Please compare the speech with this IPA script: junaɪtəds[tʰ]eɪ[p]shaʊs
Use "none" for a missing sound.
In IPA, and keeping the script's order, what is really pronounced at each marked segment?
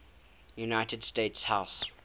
t, t

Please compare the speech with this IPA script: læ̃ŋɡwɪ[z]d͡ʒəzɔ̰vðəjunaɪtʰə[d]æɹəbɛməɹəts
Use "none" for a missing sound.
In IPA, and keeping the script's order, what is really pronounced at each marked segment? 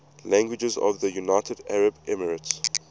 none, d

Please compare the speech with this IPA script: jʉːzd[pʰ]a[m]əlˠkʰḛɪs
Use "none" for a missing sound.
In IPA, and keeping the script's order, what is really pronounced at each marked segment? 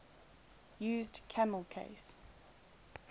kʰ, m

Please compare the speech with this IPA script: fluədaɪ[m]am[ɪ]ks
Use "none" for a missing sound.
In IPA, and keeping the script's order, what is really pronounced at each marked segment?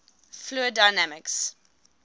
n, ɪ

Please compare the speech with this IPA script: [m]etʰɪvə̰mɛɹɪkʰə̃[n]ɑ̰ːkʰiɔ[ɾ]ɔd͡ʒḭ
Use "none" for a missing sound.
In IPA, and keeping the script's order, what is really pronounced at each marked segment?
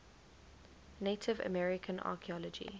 n, n, l

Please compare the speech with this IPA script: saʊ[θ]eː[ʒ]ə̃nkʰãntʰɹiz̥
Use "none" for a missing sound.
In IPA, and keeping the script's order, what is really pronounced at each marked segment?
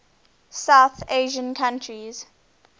θ, ʒ

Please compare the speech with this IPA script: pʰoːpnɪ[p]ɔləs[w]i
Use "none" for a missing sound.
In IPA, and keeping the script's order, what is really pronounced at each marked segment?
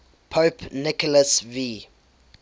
k, v

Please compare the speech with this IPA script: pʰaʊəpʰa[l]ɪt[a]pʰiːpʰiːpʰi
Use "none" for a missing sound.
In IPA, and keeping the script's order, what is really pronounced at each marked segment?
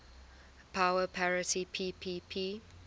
ɹ, i

